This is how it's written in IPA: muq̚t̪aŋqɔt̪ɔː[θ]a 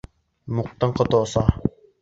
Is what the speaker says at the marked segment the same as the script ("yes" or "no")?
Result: no